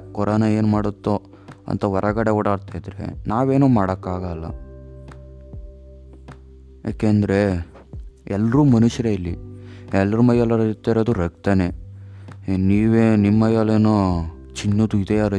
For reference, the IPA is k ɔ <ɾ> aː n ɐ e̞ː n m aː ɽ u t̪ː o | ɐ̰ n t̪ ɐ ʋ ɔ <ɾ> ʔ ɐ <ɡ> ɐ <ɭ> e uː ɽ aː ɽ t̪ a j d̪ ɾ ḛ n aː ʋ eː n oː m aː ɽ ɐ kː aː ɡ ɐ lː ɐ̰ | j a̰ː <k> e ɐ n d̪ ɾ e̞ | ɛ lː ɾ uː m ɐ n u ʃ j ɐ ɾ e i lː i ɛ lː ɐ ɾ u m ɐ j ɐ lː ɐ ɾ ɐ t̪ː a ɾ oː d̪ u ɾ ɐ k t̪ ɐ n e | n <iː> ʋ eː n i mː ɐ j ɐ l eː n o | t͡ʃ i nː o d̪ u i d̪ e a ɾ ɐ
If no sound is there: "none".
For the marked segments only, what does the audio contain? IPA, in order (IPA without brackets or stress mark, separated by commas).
ɾ, ɾ, ɡ, ɽ, k, iː